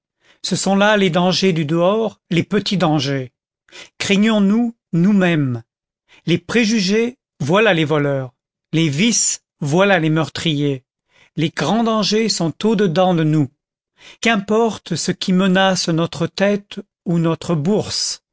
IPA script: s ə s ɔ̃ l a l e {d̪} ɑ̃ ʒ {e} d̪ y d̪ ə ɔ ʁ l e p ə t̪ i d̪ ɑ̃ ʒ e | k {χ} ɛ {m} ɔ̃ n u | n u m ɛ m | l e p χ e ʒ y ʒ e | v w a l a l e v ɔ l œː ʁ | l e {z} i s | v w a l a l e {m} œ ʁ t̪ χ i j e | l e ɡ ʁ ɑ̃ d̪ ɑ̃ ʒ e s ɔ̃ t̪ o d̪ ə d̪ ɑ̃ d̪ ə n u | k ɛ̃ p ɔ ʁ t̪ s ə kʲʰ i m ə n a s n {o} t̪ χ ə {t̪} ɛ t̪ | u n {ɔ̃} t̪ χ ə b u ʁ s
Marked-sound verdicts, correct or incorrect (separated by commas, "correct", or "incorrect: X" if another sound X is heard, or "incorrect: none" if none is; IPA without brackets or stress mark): correct, correct, correct, incorrect: ɲ, incorrect: v, correct, incorrect: ɔ, correct, incorrect: ɔ